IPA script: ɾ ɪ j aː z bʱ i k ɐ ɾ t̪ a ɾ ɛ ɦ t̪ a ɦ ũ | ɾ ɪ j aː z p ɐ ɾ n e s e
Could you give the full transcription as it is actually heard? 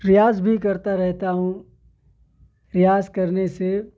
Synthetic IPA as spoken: ɾ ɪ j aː z bʱ i k ɐ ɾ t̪ a ɾ ɛ ɦ t̪ a ɦ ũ | ɾ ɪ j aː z k ɐ ɾ n e s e